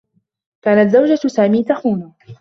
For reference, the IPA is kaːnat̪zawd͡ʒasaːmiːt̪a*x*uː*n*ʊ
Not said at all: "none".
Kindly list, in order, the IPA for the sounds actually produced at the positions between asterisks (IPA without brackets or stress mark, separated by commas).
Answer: x, n